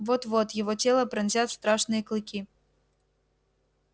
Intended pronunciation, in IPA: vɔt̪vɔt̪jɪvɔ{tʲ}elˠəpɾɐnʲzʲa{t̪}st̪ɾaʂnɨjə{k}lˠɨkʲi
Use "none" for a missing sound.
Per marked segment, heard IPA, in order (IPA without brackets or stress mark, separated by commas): tʲ, t̪, k